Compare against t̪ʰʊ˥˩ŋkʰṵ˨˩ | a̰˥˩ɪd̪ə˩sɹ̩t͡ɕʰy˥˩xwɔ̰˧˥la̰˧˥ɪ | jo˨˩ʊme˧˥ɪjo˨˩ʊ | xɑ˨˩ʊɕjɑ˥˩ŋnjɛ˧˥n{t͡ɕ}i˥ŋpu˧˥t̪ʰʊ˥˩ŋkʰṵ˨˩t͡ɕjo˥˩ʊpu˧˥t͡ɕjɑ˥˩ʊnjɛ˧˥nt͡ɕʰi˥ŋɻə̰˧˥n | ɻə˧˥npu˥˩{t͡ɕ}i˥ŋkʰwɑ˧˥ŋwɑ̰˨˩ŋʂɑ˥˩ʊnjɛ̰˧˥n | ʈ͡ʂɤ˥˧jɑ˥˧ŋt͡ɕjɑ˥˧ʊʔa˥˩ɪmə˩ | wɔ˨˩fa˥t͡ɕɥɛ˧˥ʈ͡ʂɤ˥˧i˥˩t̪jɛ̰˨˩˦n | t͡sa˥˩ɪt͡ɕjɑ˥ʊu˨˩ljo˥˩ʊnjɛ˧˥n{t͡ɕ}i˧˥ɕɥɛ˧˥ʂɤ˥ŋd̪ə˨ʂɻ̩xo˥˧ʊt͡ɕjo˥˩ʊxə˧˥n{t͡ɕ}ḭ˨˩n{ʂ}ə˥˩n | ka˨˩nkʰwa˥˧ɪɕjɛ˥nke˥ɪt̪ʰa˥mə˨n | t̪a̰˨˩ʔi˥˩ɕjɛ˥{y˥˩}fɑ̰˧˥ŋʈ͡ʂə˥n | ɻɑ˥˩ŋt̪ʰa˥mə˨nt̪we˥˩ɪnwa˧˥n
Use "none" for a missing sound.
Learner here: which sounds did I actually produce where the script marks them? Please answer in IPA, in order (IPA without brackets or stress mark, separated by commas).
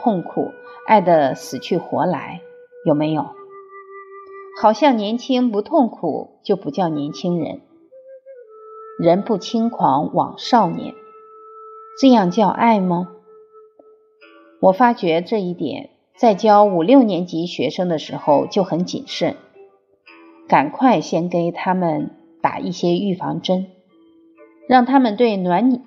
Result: t͡ɕʰ, t͡ɕʰ, t͡ɕ, t͡ɕ, ʂ, y˥˩